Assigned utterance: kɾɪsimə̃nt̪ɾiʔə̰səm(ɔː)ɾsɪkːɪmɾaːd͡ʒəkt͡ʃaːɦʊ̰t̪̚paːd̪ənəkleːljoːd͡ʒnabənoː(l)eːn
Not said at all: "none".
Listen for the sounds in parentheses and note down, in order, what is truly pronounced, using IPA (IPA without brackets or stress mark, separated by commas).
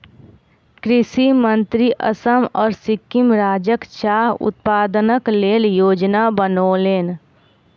ɔː, l